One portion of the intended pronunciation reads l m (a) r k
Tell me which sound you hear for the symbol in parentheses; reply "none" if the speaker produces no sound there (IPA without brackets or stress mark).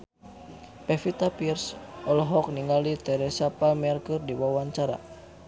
ɛ